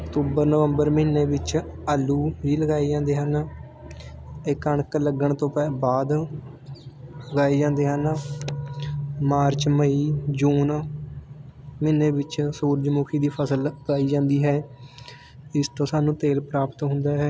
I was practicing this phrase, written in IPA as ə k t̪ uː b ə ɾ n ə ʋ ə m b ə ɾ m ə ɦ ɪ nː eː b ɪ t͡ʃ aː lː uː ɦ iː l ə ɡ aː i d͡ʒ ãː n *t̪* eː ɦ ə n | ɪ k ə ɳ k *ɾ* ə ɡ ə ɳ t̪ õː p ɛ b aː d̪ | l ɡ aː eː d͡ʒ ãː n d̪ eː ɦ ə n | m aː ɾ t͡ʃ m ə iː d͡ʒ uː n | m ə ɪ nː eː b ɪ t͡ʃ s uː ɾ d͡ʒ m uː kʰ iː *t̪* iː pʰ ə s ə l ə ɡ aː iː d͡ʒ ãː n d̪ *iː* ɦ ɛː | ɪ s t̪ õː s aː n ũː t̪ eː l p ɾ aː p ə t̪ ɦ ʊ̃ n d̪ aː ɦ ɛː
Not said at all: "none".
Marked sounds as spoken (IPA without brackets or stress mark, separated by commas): d̪, l, d̪, iː